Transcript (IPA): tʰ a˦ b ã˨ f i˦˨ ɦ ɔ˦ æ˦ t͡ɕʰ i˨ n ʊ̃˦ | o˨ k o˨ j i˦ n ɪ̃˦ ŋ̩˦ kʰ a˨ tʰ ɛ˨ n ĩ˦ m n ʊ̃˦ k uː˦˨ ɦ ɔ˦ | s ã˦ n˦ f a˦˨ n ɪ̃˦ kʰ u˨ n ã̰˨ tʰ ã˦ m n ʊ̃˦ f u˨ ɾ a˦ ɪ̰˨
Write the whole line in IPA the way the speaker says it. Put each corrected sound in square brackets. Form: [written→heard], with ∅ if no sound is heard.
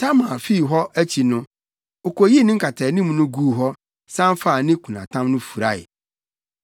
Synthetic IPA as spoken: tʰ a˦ [b→m] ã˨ f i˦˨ ɦ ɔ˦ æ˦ t͡ɕʰ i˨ n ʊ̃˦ | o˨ k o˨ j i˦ n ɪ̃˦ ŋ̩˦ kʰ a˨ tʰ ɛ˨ n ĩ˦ m n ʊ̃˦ [k→ɡ] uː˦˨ ɦ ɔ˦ | s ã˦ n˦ f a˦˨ n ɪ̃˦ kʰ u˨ n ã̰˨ tʰ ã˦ m n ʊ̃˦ f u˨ ɾ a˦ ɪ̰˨

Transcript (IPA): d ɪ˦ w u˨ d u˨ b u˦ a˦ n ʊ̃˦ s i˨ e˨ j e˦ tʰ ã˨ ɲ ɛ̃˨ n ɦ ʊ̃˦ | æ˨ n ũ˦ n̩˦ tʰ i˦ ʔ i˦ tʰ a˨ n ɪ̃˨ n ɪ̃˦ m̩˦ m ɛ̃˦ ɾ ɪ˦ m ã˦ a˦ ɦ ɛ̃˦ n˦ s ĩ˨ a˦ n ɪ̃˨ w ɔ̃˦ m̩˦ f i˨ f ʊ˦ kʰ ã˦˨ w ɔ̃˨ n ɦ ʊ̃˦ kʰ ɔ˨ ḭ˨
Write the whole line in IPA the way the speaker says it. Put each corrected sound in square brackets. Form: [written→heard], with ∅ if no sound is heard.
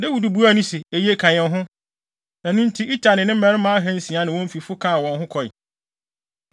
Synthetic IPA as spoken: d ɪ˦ w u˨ d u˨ b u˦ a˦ n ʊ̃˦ s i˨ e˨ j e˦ [tʰ→kʰ] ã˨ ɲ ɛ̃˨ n ɦ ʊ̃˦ | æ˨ n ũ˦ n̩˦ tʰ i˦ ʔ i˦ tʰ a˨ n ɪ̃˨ n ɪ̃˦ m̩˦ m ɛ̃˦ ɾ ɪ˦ m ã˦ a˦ ɦ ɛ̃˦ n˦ s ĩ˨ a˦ n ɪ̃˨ w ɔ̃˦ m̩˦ f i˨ f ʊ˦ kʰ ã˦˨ w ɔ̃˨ n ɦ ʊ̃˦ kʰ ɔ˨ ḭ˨

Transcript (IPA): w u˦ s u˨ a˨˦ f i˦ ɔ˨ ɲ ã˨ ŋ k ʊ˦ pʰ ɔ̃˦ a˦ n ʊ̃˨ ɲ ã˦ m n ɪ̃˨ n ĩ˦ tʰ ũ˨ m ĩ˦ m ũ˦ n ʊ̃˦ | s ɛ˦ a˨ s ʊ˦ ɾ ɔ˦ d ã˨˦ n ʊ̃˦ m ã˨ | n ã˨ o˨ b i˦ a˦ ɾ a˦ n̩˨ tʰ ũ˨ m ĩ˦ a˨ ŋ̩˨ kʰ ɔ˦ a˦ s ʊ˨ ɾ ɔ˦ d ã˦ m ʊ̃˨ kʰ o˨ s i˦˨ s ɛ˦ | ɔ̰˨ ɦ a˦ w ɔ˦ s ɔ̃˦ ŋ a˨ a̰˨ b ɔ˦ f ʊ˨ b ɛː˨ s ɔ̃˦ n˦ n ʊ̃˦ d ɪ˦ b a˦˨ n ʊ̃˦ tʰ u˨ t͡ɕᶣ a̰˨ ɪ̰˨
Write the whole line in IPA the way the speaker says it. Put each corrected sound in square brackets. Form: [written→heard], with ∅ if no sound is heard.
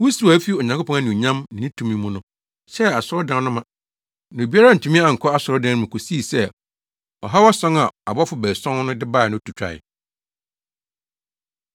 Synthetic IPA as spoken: w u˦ s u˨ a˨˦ f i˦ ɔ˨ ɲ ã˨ ŋ k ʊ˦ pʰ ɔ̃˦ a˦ n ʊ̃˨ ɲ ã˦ m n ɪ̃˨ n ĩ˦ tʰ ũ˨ m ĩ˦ m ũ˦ n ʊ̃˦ | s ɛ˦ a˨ s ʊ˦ ɾ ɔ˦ d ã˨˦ n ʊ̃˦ m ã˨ | n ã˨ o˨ b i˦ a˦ ɾ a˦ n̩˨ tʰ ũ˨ m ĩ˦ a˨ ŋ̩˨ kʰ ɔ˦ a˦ s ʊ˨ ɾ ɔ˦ d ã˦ m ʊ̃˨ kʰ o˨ s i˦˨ s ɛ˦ | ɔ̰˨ ɦ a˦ w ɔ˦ s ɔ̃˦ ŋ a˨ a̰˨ b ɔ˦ f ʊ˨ b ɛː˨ s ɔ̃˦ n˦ n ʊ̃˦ d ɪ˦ b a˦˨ n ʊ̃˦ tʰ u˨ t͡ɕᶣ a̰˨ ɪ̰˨

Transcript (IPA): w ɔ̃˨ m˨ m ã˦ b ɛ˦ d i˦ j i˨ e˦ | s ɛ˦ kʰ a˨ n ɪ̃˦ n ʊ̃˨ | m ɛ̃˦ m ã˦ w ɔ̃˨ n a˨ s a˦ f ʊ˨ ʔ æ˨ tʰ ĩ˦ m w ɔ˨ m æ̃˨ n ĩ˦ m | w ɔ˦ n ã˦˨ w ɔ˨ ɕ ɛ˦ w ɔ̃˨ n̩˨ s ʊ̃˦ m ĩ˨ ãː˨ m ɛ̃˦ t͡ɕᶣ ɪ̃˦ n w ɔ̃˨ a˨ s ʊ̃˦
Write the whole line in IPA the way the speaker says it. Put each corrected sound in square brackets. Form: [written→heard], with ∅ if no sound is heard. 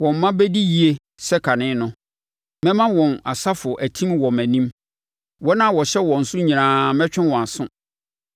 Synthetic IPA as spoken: w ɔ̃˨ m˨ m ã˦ b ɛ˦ d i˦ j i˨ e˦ | s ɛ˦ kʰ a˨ n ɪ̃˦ n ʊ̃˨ | m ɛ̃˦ m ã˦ w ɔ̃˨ n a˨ s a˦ f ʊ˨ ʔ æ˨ tʰ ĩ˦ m w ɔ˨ m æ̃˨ n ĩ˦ m | w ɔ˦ n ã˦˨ w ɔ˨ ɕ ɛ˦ w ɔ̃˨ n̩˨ s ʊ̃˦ [m→ɲ] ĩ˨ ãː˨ m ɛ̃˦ t͡ɕᶣ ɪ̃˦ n w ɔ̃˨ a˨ s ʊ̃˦

